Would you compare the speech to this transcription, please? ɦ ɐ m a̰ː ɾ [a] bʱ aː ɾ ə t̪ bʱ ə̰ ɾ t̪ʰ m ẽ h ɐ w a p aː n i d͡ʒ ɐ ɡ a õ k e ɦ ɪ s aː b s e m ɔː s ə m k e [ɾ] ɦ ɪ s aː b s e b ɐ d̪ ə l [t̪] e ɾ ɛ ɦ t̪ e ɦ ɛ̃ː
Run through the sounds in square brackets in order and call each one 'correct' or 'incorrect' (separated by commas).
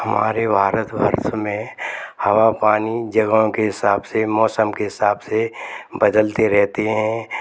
incorrect, incorrect, correct